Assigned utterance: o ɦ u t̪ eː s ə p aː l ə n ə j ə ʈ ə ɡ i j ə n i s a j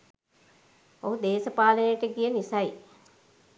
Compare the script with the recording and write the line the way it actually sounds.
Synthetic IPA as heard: o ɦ u d̪ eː s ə p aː l ə n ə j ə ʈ ə ɡ i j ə n i s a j